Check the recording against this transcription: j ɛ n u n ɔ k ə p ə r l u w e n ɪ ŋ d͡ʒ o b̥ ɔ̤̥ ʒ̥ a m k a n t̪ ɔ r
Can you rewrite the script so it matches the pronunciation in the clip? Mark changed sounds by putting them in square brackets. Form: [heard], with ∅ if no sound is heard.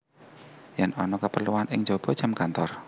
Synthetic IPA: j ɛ n [ɔ] n ɔ k ə p ə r l u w [a] n ɪ ŋ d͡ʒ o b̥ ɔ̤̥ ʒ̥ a m k a n t̪ ɔ r

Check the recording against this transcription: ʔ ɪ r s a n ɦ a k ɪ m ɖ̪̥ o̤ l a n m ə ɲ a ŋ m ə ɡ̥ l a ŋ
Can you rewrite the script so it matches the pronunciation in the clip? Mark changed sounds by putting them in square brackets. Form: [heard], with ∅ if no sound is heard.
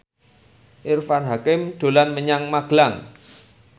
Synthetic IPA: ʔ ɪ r [f] a n ɦ a k ɪ m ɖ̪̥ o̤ l a n m ə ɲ a ŋ m [a] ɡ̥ l a ŋ

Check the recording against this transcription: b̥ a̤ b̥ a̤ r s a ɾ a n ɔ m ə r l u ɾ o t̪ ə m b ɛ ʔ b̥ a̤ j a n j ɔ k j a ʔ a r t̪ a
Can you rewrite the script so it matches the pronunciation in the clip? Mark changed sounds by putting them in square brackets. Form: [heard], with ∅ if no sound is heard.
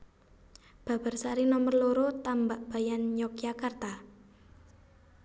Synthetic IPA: b̥ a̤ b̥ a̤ r s a ɾ [i] n ɔ m ə r l [o] ɾ o t̪ [a] m b [a] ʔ b̥ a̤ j a n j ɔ k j a [k] a r t̪ a

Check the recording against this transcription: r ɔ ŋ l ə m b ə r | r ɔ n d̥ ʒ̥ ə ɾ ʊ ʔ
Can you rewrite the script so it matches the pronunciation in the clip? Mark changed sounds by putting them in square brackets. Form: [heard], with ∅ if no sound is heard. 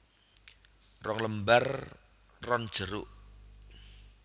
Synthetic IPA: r ɔ ŋ l ə m b [a] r | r ɔ n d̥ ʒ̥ ə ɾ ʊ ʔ

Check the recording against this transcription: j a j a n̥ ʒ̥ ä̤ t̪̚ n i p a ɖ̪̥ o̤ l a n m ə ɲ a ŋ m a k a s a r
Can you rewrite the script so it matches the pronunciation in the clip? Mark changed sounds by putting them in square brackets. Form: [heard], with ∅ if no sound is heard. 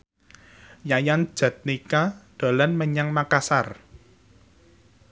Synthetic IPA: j a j a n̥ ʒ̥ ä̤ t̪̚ n i [k] a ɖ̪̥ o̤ l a n m ə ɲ a ŋ m a k a s a r

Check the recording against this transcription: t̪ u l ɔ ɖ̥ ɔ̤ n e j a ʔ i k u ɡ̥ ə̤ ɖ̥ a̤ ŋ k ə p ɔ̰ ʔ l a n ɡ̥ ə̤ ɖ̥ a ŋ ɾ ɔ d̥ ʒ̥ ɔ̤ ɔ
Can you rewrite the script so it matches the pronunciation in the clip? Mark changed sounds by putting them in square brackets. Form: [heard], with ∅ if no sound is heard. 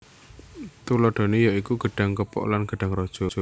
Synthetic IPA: t̪ u l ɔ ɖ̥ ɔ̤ n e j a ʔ i k u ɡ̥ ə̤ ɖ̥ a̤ ŋ k ə p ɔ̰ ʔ l a n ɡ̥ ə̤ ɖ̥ a ŋ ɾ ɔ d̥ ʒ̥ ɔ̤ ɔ

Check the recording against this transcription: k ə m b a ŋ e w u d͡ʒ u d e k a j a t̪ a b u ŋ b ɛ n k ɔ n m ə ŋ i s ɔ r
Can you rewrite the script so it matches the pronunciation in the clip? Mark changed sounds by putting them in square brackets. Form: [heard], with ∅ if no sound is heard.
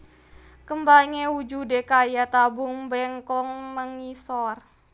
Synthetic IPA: k ə m b a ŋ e w u d͡ʒ u d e k a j a t̪ a b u ŋ b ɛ [ŋ] k ɔ [ŋ] m ə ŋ i s ɔ r

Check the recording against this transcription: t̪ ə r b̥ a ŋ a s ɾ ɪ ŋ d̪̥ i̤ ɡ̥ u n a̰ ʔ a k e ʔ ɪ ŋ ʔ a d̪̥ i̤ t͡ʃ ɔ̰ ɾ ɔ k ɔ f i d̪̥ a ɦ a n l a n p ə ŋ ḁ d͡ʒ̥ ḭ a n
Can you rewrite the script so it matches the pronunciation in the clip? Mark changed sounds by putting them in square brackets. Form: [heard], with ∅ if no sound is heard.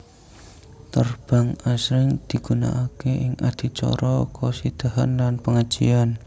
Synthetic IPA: t̪ ə r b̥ a ŋ a s ɾ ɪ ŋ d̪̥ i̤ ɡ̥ u n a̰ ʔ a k e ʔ ɪ ŋ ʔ a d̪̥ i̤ t͡ʃ ɔ̰ ɾ ɔ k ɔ [s] i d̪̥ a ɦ a n l a n p ə ŋ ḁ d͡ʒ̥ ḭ a n

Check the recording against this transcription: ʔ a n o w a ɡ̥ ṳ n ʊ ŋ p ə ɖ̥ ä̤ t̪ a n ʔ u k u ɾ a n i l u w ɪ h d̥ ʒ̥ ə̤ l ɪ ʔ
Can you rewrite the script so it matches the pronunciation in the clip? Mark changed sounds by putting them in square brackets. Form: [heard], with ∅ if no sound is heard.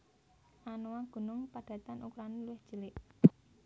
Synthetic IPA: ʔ a n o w a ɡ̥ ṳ n ʊ ŋ p [a] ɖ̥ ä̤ t̪ a n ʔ u k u ɾ a n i l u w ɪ h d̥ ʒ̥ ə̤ l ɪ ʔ

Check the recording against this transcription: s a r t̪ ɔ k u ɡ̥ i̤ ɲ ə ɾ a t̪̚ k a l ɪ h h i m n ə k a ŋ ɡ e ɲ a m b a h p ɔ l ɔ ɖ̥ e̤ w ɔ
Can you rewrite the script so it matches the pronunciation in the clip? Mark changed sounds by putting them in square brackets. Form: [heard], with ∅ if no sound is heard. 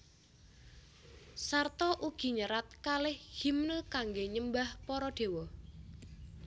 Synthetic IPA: s a r t̪ ɔ [ʔ] u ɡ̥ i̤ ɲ ə ɾ a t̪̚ k a l ɪ h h i m n ə k a ŋ ɡ e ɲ [ə] m b a h p ɔ [ɾ] ɔ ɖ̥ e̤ w ɔ

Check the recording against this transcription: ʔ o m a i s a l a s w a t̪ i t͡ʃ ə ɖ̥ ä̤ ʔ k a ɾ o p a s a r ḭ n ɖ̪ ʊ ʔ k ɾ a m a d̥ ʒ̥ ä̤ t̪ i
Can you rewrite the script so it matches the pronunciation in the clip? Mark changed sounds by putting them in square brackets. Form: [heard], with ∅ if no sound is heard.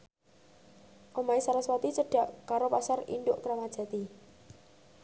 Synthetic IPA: ʔ o m a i s a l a s w a t̪ i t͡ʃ ə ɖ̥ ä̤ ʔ k a ɾ o p a s a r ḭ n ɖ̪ ʊ ʔ k ɾ a m a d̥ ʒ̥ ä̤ t̪ i

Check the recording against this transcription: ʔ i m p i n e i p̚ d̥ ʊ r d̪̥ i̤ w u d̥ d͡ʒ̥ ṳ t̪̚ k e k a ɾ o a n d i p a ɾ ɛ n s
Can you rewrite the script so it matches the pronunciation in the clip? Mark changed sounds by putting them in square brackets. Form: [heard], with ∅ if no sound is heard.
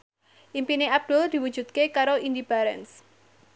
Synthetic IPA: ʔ i m p i n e [a] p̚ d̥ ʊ [l] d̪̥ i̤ w u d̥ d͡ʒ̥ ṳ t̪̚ k e k a ɾ o [i] n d i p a ɾ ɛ n s

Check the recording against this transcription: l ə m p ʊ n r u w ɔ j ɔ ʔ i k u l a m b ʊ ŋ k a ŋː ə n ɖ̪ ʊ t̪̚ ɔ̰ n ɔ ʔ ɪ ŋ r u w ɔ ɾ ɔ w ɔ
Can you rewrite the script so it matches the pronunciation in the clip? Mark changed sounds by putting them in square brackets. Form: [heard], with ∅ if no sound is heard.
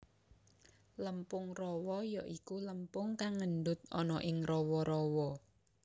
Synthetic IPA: l ə m p ʊ [ŋ] r [ɔ] w ɔ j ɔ ʔ i k u l [ə] m [p] ʊ ŋ k a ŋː ə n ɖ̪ ʊ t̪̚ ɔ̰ n ɔ ʔ ɪ ŋ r [ɔ] w ɔ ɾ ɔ w ɔ

